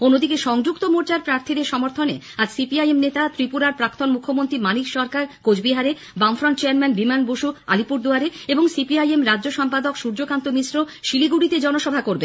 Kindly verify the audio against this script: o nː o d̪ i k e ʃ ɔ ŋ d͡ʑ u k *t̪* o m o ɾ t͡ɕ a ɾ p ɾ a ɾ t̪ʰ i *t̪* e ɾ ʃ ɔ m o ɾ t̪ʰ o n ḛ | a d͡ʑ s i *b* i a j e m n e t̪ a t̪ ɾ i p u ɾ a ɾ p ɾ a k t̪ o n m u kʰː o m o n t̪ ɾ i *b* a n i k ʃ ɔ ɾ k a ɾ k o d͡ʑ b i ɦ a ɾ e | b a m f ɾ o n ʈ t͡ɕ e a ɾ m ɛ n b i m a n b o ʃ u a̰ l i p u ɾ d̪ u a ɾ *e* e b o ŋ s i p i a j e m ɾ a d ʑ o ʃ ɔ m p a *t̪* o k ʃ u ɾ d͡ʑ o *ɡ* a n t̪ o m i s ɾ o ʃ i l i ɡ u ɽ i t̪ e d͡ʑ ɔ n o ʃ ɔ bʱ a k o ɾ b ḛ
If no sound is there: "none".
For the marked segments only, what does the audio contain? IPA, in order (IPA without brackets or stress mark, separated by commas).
t̪, d̪, p, m, e, d̪, k